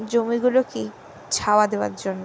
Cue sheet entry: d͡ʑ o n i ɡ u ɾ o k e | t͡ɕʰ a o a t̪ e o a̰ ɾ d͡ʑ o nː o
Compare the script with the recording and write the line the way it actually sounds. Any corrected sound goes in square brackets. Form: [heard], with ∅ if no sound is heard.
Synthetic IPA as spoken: d͡ʑ o [m] i ɡ u [l] o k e | t͡ɕʰ a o a [d̪] e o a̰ ɾ d͡ʑ o nː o